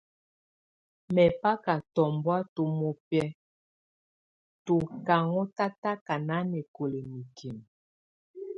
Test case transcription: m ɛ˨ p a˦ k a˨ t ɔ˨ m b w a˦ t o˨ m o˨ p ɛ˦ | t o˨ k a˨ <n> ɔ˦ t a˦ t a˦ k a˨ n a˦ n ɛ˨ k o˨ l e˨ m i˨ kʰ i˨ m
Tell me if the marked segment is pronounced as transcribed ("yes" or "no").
no